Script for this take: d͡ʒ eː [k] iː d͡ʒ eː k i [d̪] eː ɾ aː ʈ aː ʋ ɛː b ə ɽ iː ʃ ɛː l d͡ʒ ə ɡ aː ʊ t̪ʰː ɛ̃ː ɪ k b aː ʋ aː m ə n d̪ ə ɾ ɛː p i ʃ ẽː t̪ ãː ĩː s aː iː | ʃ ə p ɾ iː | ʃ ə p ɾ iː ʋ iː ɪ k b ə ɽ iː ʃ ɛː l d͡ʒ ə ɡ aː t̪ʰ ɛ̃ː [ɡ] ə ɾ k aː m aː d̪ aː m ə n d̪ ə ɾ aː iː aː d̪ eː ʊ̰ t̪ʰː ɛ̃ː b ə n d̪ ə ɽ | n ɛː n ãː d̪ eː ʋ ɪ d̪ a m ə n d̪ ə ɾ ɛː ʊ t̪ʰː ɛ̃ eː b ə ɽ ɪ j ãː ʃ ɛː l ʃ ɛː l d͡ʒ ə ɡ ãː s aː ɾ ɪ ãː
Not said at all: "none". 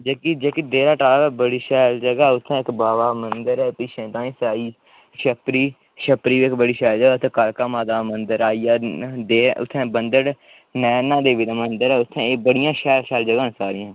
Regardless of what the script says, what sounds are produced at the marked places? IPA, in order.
k, d̪, k

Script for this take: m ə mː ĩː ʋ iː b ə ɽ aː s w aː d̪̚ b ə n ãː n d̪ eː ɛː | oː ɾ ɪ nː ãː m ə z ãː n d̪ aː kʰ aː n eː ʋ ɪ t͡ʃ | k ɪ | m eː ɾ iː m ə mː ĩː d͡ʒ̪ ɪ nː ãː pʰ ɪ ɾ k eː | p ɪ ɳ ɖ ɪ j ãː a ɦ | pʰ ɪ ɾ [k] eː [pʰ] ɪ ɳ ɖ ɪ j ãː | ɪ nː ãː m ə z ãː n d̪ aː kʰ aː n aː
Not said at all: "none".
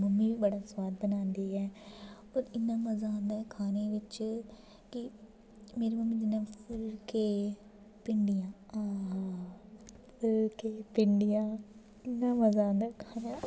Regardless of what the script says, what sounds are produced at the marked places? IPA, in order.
k, p

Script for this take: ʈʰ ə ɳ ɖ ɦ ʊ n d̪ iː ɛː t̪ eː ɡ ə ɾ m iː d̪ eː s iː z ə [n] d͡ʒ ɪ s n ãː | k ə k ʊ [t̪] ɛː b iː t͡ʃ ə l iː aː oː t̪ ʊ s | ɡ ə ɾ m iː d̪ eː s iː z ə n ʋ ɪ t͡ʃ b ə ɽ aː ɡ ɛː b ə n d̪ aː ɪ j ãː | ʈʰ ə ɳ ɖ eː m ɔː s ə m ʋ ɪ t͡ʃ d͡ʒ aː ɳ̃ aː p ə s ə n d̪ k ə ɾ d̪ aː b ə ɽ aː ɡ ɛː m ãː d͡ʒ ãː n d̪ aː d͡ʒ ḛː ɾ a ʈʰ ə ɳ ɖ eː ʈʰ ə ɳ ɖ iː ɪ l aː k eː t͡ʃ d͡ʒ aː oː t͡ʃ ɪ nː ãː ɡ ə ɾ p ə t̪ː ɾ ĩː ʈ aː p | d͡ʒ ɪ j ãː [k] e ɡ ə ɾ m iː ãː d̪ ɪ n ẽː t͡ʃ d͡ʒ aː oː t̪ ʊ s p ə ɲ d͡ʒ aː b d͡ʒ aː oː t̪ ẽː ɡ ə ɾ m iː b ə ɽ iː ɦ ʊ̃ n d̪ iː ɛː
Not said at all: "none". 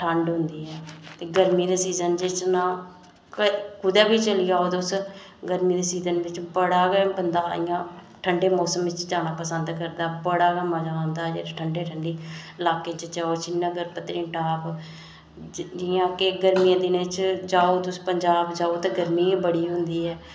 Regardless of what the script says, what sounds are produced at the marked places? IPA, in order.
n, d̪, k

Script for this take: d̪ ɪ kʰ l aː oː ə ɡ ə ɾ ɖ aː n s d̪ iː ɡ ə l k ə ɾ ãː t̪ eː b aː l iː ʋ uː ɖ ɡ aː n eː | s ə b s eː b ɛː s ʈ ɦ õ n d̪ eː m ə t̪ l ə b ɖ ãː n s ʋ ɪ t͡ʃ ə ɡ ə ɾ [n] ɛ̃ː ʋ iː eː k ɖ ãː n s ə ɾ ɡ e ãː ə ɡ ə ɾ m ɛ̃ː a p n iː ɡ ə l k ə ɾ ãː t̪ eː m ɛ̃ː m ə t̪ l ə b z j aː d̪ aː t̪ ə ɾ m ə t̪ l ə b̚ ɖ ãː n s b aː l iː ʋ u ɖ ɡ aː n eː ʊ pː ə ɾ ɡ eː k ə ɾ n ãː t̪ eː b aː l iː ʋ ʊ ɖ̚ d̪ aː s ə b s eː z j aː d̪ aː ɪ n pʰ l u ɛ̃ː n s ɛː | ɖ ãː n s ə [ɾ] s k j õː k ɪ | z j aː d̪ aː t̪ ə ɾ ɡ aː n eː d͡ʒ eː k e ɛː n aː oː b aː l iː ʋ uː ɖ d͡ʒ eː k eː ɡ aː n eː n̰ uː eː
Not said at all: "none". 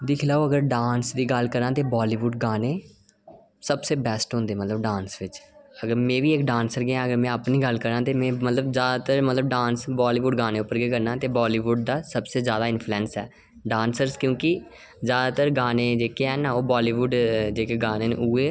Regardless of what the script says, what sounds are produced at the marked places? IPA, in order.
m, ɾ

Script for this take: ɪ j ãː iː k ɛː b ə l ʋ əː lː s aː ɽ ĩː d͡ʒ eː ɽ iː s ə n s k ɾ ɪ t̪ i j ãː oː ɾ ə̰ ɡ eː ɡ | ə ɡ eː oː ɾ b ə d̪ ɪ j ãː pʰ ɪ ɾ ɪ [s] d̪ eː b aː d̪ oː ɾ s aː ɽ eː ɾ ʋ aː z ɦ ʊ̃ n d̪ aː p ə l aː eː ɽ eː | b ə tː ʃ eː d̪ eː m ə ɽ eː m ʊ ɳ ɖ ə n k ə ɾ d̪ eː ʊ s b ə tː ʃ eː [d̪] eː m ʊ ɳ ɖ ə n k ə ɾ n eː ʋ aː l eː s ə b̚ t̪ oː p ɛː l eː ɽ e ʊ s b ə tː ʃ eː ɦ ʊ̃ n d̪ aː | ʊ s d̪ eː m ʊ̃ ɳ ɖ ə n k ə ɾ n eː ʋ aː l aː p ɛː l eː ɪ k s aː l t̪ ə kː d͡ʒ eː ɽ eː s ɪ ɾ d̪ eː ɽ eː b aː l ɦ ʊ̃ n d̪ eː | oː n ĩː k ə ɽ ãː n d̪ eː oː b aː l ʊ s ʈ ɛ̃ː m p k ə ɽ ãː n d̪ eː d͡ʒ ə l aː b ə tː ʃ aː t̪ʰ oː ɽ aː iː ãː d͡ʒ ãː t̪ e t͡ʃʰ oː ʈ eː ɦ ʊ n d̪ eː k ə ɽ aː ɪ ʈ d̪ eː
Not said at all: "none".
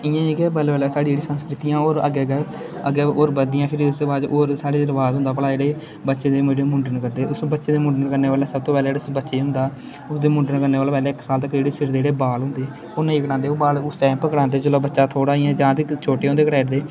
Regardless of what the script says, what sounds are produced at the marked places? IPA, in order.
s, d̪

